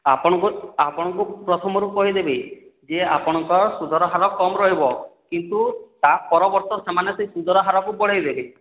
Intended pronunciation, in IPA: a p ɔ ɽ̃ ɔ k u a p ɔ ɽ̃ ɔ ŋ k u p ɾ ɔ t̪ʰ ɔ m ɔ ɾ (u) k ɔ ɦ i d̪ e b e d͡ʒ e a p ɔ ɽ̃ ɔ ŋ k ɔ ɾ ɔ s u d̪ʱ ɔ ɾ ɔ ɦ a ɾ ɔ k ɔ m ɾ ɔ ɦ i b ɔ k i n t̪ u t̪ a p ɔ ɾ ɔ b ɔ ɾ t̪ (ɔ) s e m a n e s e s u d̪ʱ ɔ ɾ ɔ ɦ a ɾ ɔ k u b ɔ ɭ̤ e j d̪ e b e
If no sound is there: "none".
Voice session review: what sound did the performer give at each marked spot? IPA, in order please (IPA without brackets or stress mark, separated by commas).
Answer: u, ɔ